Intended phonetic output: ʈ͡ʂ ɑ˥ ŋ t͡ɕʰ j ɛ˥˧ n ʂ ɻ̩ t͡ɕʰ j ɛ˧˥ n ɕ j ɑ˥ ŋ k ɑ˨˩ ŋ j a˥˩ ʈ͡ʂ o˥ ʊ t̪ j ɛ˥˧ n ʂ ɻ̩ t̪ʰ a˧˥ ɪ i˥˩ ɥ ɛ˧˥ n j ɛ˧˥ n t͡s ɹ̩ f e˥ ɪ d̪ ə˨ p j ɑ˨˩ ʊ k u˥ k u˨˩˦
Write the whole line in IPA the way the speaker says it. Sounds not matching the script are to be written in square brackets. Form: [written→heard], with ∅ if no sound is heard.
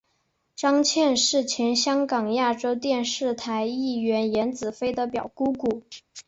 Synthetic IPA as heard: ʈ͡ʂ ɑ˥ ŋ t͡ɕʰ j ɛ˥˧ n ʂ ɻ̩ t͡ɕʰ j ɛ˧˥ n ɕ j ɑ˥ ŋ k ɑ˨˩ ŋ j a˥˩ ʈ͡ʂ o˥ ʊ t̪ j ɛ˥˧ n ʂ ɻ̩ t̪ʰ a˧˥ ɪ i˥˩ ɥ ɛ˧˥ n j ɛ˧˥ n t͡s ɹ̩ f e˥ ɪ d̪ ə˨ p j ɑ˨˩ ʊ k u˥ k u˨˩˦

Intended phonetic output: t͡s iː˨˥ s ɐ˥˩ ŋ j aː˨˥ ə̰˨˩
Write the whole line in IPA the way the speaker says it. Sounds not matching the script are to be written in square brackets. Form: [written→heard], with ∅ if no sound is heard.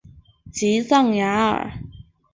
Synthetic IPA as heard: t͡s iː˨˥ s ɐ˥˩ ŋ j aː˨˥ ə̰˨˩

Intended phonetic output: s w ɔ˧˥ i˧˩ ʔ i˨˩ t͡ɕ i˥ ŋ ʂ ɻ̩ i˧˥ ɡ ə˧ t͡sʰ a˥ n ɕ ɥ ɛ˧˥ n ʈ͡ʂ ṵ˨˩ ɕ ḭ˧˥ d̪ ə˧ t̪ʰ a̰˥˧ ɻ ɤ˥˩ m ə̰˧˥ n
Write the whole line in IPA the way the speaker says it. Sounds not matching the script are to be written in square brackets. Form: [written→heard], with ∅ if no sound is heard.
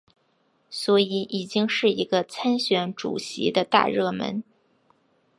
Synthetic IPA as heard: s w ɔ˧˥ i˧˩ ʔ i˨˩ t͡ɕ i˥ ŋ ʂ ɻ̩ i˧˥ ɡ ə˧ t͡sʰ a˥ n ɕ ɥ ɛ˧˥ n ʈ͡ʂ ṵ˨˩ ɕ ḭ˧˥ d̪ ə˧ [t̪ʰ→t̪] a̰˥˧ ɻ ɤ˥˩ m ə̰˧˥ n

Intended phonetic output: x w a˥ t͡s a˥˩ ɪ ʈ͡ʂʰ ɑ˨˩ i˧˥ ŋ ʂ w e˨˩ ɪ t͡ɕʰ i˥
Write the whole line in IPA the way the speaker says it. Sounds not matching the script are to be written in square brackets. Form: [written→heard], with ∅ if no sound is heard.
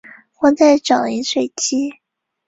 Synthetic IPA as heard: x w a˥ t͡s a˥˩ ɪ [ʈ͡ʂʰ→ʈ͡ʂ] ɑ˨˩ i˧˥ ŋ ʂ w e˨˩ ɪ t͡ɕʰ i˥

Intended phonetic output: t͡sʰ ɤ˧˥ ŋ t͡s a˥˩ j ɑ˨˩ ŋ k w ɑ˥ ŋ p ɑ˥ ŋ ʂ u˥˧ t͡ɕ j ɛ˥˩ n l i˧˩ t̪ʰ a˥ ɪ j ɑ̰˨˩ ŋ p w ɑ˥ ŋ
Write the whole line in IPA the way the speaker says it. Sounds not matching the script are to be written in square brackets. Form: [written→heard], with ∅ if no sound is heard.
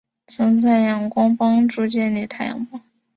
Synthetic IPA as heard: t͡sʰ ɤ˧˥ ŋ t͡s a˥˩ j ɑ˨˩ ŋ k w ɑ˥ ŋ p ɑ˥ ŋ [ʂ→ʈ͡ʂ] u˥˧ t͡ɕ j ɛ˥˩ n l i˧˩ t̪ʰ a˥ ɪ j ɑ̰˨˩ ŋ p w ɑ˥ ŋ

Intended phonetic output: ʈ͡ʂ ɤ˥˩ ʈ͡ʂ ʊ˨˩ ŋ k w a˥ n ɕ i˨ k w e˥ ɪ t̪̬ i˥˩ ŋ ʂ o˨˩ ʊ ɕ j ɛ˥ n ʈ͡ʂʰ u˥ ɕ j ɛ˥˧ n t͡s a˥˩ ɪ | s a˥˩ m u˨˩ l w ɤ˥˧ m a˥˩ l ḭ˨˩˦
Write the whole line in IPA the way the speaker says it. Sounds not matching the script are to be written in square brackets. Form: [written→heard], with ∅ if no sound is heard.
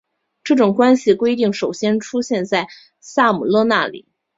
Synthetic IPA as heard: ʈ͡ʂ ɤ˥˩ ʈ͡ʂ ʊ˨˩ ŋ k w a˥ n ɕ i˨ k w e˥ ɪ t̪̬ i˥˩ ŋ ʂ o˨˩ ʊ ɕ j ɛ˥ n ʈ͡ʂʰ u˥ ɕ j ɛ˥˧ n t͡s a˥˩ ɪ | s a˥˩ m u˨˩ l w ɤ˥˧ [m→n] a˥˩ l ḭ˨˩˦

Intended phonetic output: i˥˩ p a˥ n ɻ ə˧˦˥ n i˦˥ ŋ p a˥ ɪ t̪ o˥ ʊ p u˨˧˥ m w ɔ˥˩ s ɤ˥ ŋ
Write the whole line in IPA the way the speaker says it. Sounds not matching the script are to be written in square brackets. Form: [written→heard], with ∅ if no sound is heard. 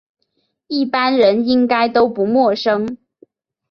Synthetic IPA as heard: i˥˩ p a˥ n ɻ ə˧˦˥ n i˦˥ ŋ [p→k] a˥ ɪ t̪ o˥ ʊ p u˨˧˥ m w ɔ˥˩ [s→ʂ] ɤ˥ ŋ

